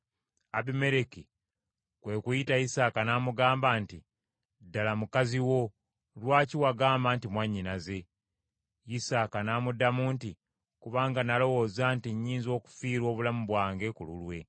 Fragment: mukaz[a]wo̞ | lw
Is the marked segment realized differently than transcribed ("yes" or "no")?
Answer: yes